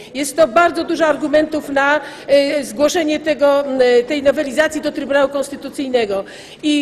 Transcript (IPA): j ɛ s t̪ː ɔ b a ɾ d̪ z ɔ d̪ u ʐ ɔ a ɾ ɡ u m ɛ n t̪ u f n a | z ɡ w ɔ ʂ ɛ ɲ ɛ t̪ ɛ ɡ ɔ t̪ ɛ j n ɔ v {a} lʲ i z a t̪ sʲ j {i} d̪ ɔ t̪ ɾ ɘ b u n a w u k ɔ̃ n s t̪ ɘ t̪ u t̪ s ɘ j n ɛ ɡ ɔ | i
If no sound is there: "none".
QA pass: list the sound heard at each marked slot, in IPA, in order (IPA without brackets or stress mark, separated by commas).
ɛ, i